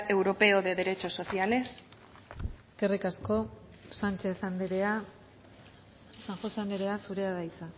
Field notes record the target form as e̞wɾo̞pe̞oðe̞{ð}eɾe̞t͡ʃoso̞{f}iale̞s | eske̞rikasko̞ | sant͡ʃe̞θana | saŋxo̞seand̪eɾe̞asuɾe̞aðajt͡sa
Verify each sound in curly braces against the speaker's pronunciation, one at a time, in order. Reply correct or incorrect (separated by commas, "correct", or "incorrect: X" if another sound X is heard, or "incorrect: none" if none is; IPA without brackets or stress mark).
correct, incorrect: θ